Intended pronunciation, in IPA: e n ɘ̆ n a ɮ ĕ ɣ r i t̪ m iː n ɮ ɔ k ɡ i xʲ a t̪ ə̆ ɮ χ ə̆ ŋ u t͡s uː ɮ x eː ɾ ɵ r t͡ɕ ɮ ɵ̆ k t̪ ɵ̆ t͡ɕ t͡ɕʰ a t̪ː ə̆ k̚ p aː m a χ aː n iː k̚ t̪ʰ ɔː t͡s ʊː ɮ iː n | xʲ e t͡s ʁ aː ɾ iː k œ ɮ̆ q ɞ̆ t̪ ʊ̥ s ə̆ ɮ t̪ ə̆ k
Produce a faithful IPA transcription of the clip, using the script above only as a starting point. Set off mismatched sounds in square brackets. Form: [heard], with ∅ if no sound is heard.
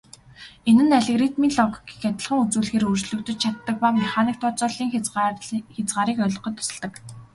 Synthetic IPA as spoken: e n ɘ̆ n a ɮ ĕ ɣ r i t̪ m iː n ɮ ɔ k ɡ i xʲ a t̪ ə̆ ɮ χ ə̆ ŋ u t͡s uː ɮ x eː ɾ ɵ r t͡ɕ ɮ ɵ̆ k t̪ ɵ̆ t͡ɕ t͡ɕʰ a t̪ː ə̆ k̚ p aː m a χ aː n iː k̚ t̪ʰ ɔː t͡s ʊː ɮ iː [ŋ] | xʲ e t͡s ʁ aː ɾ iː k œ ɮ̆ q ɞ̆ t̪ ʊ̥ s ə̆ ɮ t̪ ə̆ k